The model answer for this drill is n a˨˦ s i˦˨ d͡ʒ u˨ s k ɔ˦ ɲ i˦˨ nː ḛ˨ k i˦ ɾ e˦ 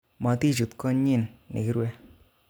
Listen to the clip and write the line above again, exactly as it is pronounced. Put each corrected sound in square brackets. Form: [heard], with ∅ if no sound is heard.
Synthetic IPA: [m] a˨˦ [t] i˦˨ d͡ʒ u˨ [t] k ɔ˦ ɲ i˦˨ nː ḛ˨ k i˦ ɾ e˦